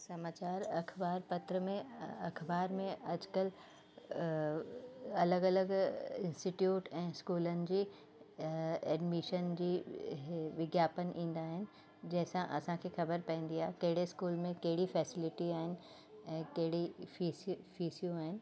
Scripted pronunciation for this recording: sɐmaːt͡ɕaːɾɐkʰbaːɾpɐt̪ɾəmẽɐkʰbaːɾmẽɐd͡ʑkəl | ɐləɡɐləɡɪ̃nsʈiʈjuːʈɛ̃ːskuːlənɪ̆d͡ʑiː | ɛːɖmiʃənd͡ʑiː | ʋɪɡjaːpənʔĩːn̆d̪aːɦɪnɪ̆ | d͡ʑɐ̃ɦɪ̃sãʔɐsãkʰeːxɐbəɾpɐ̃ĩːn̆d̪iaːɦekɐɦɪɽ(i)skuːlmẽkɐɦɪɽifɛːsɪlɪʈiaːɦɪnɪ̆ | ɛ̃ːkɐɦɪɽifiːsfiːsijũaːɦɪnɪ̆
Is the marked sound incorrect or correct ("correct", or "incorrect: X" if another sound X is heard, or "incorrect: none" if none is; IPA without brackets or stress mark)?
incorrect: e